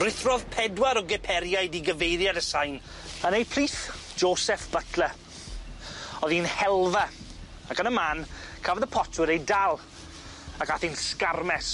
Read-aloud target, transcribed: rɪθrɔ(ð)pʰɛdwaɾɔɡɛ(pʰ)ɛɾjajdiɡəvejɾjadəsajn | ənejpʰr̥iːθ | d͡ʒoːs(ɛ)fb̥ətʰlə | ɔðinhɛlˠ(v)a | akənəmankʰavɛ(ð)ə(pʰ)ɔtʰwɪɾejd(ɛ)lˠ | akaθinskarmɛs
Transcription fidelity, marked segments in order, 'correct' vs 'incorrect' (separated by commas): correct, correct, correct, correct, correct, correct, incorrect